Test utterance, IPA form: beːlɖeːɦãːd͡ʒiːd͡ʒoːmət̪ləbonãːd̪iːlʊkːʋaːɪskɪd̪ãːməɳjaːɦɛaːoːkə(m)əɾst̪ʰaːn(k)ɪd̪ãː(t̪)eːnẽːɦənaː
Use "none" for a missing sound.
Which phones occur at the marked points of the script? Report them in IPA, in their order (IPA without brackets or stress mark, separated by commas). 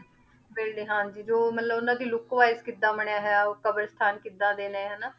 b, k, d̪